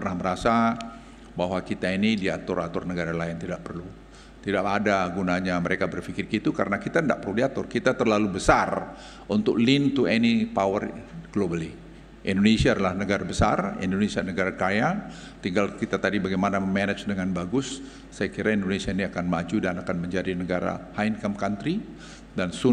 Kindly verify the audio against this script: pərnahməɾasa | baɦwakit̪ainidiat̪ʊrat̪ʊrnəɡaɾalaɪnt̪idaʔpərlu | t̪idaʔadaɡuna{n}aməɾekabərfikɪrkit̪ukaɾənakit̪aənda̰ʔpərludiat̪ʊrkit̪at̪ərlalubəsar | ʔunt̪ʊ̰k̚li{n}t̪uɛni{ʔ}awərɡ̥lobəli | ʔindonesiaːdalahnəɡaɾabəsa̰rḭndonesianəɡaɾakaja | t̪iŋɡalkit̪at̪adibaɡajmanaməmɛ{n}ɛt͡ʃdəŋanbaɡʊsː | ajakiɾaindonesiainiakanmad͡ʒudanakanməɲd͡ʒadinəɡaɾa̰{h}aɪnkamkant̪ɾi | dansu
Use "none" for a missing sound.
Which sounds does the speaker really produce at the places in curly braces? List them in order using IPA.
ɲ, n, p, n, h

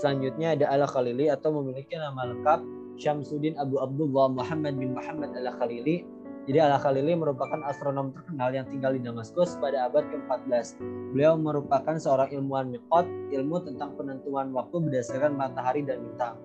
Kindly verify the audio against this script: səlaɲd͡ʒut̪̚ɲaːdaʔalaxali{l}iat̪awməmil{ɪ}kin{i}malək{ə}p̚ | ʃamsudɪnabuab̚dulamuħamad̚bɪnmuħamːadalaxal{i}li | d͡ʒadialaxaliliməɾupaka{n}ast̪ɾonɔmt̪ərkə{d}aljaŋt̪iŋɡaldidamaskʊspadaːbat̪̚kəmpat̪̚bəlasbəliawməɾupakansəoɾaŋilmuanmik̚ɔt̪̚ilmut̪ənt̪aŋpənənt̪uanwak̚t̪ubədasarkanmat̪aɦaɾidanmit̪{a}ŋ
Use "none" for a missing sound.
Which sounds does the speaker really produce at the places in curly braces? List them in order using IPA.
l, i, a, a, i, n, n, a

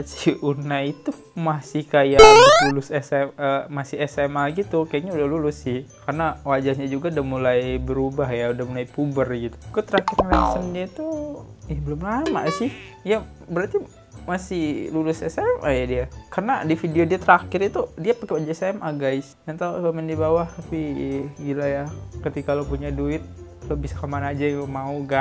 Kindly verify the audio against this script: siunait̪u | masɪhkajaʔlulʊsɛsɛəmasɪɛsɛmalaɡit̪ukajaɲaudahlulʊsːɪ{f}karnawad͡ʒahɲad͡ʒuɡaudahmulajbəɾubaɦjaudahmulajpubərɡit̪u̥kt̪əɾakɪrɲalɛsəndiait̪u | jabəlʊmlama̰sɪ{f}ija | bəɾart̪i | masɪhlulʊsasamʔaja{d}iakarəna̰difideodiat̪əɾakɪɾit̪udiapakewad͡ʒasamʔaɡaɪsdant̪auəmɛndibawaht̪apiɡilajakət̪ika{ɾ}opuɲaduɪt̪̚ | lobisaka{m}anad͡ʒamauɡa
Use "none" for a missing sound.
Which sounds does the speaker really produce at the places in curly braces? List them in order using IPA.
h, h, d, l, m

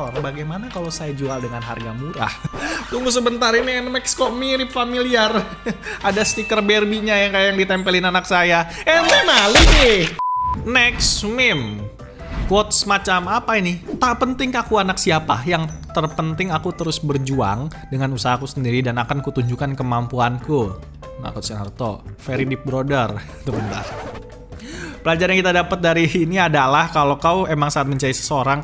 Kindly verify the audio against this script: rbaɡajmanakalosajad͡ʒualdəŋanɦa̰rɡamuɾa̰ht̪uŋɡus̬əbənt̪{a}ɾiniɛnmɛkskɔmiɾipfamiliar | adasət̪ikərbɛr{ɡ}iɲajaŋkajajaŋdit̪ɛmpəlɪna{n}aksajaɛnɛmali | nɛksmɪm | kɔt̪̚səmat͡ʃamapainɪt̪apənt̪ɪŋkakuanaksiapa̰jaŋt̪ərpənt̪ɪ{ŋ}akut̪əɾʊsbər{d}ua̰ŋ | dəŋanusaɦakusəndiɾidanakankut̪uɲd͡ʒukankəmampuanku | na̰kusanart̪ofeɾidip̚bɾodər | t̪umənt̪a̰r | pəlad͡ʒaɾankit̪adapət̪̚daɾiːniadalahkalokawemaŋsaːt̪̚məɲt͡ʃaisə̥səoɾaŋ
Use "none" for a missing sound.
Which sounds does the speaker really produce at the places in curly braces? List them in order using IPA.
a, b, n, ŋ, d͡ʒ

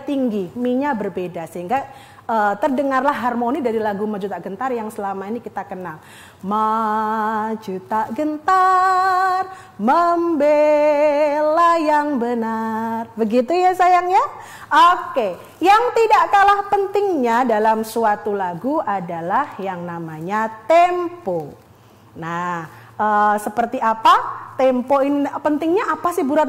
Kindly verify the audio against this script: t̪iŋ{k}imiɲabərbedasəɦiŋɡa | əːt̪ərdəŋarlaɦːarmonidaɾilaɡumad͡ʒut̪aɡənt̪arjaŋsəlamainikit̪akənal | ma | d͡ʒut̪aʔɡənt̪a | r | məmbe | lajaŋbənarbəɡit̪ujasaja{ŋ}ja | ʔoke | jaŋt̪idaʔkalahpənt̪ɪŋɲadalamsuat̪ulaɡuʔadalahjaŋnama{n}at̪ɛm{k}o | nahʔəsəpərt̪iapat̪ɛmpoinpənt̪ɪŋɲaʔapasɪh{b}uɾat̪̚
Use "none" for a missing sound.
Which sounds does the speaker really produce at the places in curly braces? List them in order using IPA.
ɡ, ŋ, ɲ, p, b

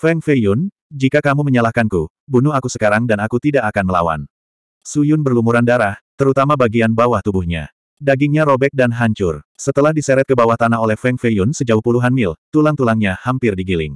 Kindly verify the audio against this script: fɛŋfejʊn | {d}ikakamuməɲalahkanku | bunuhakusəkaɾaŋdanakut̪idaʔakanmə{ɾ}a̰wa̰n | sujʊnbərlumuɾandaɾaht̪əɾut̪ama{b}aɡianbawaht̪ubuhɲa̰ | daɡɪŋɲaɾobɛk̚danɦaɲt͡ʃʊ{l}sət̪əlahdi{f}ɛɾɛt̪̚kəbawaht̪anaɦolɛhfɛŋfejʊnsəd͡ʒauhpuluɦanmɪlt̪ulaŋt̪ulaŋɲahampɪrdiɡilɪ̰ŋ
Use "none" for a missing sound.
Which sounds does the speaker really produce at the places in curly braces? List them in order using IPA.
d͡ʒ, l, b, r, s

